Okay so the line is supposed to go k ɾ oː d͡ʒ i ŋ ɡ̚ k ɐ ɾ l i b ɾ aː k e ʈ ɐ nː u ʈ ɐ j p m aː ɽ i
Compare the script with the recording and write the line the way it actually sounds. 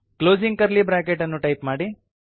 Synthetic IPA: k l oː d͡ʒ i ŋ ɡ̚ k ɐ ɾ l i b ɾ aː k e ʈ ɐ nː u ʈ ɐ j p m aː ɽ i